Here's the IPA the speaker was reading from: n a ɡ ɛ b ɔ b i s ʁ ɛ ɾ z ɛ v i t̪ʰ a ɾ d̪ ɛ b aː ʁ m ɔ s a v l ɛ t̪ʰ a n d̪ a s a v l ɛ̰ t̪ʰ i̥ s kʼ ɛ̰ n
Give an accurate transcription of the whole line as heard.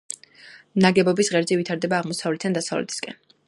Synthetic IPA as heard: n a ɡ ɛ b ɔ b i s ʁ ɛ ɾ z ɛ v i t̪ʰ a ɾ d̪ ɛ b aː ʁ m ɔ s a v l ɛ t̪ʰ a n d̪ a s a v l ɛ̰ t̪ʰ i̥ s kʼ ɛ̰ n